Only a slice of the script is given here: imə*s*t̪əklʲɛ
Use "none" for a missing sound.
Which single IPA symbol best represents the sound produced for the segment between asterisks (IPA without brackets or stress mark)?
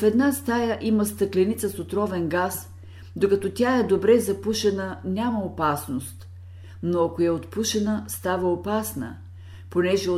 s